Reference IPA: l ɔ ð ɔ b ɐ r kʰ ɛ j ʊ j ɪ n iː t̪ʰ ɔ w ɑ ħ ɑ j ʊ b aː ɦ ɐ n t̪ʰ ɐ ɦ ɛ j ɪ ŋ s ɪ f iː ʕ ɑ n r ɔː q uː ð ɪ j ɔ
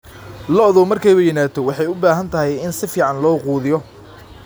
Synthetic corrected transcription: l ɔ ð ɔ m ɐ r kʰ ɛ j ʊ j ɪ n aː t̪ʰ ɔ w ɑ ħ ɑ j ʊ b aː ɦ ɐ n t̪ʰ ɐ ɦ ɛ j ɪ n s ɪ f iː ʕ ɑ n l ɔː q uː ð ɪ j ɔ